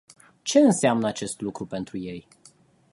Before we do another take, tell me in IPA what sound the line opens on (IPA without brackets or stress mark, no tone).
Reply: t͡ʃ